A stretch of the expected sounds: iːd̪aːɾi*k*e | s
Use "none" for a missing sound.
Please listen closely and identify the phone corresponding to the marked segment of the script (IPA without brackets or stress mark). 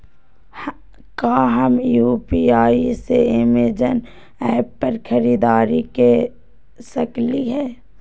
k